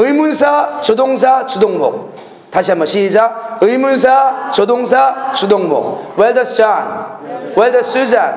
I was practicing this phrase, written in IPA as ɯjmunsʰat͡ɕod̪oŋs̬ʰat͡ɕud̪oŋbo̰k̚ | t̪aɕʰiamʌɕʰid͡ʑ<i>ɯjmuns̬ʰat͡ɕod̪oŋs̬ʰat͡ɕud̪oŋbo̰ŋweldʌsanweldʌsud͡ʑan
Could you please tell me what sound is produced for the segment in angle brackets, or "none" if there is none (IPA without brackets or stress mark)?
a